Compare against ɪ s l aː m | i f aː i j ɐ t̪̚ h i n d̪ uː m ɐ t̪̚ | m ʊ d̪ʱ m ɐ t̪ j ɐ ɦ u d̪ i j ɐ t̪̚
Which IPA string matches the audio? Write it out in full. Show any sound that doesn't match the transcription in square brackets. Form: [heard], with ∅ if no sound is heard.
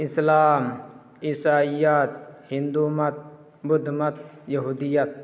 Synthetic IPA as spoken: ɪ s l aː m | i [s] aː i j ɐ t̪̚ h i n d̪ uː m ɐ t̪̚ | [b] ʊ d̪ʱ m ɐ t̪ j ɐ ɦ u d̪ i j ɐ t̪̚